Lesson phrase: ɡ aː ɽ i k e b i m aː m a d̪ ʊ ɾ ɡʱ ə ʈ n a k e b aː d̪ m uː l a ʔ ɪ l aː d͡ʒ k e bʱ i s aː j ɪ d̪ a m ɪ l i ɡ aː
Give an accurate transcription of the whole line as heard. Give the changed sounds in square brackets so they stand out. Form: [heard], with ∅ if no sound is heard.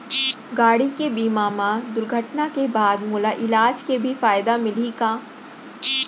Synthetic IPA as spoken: ɡ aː ɽ i k e b [iː] m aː m a d̪ ʊ ɾ ɡʱ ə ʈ n a k e b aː d̪ m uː l a ʔ ɪ l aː d͡ʒ k e bʱ i [f] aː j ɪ d̪ a m ɪ l i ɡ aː